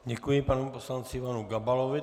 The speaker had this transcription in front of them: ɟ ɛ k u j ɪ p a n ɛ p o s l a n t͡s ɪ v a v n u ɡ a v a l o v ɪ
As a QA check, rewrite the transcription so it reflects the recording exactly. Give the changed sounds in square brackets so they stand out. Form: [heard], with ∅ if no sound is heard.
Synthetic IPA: ɟ ɛ k u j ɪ p a n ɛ p o s l a n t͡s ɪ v a [∅] n u ɡ a [b] a l o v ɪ